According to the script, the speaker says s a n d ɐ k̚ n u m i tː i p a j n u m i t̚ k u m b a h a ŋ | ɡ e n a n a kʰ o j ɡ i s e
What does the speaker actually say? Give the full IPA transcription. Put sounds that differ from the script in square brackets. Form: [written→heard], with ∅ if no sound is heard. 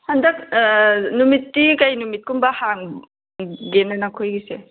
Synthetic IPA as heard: [s→h] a n d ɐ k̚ n u m i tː i [p→k] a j n u m i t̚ k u m b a h a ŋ | ɡ e n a n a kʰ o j ɡ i s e